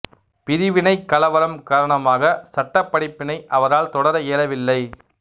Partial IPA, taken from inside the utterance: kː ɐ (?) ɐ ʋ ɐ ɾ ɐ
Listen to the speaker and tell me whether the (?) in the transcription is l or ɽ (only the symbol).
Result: l